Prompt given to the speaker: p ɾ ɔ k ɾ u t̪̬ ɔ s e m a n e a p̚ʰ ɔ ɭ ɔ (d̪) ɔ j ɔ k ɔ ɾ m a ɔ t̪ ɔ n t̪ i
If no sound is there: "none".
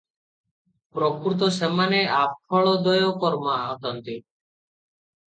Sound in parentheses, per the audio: d̪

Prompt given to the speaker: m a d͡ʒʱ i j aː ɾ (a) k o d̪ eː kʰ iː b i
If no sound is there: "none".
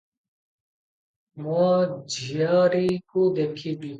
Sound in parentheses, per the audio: i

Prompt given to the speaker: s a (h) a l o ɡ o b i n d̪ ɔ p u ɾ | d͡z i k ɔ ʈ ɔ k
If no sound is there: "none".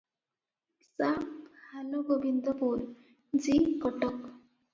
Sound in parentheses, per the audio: h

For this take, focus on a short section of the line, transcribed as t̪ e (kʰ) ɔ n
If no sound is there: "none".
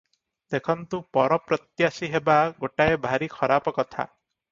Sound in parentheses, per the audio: kʰ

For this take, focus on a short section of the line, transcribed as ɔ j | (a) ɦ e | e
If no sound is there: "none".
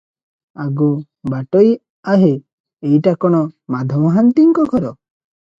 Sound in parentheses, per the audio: a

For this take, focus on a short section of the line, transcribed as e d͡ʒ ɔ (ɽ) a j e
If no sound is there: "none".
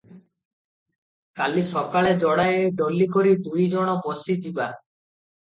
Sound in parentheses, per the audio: ɽ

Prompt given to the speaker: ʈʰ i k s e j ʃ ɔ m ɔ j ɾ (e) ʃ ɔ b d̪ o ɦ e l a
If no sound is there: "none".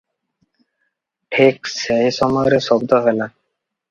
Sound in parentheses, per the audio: e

